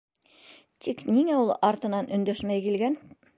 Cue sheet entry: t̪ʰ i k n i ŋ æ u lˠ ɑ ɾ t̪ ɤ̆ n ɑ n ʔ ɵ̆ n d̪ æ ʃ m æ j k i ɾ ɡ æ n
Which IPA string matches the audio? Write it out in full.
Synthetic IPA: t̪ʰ i k n i ŋ æ u lˠ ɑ ɾ t̪ ɤ̆ n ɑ n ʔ ɵ̆ n d̪ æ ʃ m æ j k i l ɡ æ n